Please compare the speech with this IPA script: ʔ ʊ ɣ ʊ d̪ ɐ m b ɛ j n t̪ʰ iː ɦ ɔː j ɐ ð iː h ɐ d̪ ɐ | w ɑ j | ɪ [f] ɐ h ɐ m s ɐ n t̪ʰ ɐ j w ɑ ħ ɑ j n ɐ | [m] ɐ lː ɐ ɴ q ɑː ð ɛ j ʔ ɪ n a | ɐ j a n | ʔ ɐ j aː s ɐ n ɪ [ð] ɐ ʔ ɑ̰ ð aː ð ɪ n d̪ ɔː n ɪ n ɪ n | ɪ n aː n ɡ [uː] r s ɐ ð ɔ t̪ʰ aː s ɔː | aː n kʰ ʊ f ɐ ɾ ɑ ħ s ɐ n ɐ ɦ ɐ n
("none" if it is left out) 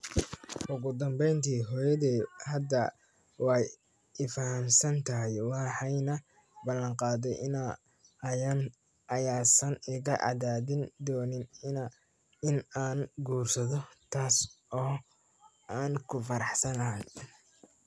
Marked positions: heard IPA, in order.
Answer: f, b, ɣ, uː

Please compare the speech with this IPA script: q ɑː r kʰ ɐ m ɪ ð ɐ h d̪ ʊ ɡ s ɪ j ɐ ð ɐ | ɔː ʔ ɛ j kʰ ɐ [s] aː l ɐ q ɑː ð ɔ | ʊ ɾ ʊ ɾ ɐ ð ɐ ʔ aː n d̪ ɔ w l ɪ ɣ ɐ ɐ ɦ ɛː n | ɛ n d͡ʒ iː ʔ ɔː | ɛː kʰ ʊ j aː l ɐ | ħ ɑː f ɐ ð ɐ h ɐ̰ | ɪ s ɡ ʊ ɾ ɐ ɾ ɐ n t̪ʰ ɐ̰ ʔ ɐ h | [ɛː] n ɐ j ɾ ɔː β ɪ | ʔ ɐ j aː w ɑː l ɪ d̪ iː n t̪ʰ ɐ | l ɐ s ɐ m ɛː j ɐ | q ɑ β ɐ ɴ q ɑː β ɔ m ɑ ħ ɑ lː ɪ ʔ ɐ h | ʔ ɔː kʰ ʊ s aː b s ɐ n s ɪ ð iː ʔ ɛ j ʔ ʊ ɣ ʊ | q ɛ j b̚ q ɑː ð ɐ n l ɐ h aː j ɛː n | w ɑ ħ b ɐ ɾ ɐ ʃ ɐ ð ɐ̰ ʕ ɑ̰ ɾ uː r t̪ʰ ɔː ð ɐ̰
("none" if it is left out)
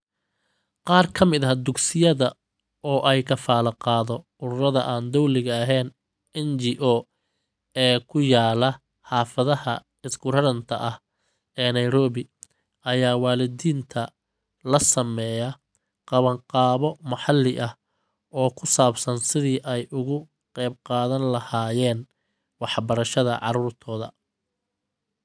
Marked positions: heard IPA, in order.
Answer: f, ɛː

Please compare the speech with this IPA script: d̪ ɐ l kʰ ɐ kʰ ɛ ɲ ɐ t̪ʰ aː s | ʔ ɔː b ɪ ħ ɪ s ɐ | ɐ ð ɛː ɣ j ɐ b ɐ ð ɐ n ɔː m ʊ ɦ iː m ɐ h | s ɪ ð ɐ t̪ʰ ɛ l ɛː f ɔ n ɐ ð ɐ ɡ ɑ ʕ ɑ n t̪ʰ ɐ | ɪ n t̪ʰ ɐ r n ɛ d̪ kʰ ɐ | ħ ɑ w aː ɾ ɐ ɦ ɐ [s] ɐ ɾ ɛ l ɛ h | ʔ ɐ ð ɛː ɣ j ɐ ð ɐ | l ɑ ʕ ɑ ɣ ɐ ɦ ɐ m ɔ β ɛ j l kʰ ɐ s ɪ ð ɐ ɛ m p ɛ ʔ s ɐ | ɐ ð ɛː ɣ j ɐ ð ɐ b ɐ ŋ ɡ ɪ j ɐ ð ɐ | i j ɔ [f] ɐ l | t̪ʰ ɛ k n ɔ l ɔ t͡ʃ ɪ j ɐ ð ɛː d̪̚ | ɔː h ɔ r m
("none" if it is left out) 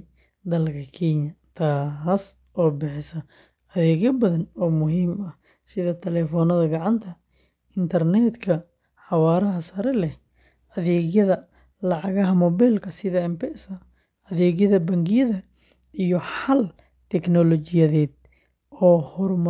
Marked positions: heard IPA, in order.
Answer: s, ħ

